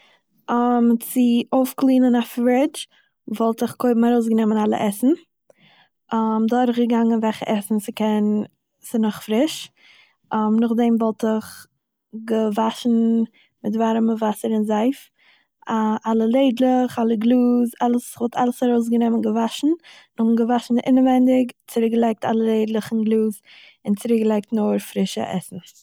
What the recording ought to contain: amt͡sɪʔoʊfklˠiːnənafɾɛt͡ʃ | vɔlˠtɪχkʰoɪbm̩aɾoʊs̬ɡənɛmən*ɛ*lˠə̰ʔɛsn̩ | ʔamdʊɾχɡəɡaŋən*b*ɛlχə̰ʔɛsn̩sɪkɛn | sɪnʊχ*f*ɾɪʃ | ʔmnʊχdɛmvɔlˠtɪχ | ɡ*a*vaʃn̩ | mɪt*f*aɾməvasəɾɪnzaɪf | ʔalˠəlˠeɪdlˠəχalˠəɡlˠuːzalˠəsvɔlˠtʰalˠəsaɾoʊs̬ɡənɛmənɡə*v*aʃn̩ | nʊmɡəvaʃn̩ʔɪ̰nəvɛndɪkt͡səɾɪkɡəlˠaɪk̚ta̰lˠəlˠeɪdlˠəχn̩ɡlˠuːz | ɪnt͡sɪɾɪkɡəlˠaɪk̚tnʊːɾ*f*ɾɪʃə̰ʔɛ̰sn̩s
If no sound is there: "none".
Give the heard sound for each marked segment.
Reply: a, v, f, ə, v, v, f

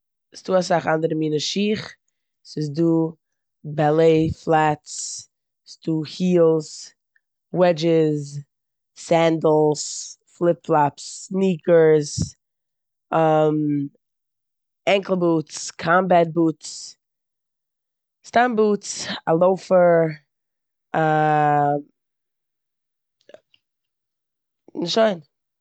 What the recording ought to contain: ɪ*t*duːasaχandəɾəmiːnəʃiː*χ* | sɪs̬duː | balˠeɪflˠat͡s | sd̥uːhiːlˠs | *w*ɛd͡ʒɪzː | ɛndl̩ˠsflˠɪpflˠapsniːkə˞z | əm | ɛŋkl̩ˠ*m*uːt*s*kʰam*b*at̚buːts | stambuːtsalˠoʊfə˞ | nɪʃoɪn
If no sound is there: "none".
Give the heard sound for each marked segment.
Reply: s, χ, w, b, s, b

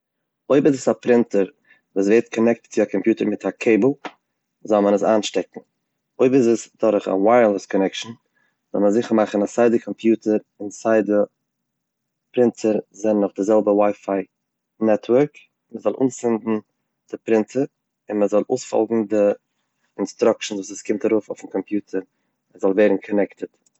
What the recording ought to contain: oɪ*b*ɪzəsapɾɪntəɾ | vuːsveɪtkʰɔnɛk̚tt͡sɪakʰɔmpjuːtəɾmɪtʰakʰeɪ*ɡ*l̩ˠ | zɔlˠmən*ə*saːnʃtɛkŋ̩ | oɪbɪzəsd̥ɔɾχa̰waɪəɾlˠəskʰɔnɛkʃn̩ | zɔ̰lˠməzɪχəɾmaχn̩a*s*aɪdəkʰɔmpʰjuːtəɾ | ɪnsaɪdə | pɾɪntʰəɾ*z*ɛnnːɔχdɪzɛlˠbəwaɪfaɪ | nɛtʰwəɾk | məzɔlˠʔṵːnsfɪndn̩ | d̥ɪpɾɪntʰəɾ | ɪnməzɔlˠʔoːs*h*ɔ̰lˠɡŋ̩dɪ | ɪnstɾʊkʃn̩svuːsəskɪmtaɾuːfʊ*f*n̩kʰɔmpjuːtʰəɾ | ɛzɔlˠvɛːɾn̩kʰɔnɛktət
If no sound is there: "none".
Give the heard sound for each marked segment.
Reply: b, b, ə, s, z, f, f

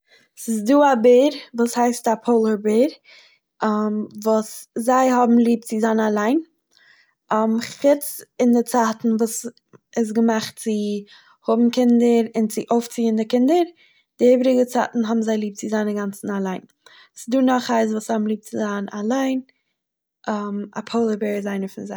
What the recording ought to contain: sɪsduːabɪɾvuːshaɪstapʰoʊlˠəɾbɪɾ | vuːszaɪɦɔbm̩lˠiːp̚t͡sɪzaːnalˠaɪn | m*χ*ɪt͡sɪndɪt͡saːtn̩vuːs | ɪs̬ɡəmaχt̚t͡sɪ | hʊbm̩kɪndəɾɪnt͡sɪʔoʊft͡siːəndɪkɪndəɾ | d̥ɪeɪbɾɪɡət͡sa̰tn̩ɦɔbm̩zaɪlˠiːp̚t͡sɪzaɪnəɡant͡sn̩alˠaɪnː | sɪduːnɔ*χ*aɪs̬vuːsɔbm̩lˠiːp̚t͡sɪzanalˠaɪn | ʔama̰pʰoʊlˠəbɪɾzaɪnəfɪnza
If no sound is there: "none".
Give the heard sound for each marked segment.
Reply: χ, χ

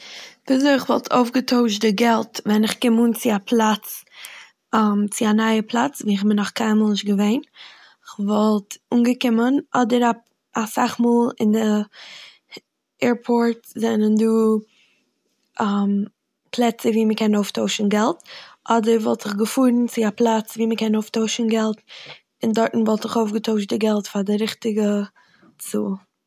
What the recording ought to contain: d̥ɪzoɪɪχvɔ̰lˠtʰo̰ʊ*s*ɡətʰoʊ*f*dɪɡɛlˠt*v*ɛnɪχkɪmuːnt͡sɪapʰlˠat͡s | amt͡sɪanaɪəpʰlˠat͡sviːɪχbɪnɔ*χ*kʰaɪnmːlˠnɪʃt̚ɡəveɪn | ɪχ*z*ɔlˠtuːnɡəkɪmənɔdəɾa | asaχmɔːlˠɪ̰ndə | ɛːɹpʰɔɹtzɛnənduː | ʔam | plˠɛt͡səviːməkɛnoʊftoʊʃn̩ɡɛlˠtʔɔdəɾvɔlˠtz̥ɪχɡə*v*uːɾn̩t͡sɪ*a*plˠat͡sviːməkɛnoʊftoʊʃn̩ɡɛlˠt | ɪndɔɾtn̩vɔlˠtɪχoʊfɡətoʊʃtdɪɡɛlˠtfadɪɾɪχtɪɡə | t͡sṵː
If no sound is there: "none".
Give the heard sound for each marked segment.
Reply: f, ʃ, v, χ, v, f, a

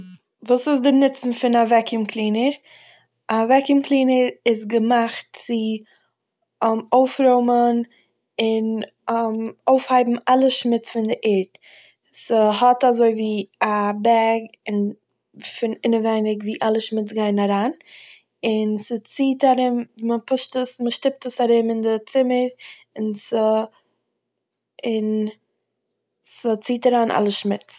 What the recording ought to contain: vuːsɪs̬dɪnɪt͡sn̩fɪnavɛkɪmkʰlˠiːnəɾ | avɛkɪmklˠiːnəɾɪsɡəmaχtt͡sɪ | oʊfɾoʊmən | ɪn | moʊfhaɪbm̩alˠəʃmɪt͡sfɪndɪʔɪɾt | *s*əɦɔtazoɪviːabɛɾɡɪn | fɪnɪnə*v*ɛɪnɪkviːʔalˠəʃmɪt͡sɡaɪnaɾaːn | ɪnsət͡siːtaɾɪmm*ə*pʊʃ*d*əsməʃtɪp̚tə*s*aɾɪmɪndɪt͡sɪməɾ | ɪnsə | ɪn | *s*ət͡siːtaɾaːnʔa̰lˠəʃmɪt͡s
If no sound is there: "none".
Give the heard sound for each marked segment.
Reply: s, v, ə, t, s, s

